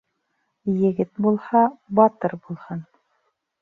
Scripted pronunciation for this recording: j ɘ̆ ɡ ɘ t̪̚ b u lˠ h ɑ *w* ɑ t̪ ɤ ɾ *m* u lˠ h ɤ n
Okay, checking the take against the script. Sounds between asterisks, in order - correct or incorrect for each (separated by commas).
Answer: incorrect, incorrect